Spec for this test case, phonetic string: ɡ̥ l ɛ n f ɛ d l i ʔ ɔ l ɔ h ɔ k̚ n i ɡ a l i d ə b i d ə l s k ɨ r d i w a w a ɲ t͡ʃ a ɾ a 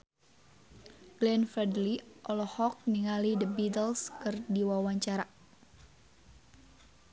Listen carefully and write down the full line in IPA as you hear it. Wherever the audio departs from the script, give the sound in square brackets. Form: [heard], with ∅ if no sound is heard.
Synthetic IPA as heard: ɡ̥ l ɛ n f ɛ d l i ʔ ɔ l ɔ h ɔ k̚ n i [ŋ] a l i d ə b i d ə l s k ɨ r d i w a w a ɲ t͡ʃ a ɾ a